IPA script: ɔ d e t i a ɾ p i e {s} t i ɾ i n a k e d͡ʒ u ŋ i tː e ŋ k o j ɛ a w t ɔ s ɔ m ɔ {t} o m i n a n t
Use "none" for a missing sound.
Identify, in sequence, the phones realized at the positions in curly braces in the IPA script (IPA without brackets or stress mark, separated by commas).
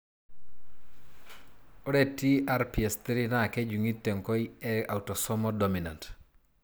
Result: s, d